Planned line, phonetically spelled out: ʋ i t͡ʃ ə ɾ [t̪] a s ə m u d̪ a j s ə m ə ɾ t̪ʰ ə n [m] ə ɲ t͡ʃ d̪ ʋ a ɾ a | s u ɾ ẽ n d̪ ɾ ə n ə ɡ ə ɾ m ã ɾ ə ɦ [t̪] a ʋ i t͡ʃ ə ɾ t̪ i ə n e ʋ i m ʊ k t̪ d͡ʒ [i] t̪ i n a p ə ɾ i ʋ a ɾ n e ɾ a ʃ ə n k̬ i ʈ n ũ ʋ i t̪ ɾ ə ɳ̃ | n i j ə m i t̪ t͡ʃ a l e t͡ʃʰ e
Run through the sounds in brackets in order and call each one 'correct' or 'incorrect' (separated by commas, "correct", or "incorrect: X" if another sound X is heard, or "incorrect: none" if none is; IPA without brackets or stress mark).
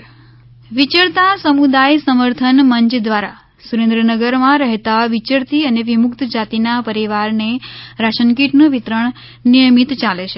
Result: correct, correct, correct, incorrect: a